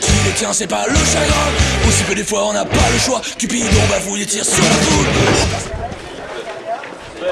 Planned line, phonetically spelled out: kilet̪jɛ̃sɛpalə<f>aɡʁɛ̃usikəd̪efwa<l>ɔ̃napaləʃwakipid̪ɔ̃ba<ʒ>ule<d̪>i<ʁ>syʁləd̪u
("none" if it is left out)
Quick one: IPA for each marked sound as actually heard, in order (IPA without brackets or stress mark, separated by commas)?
ʃ, none, v, t̪, ʁ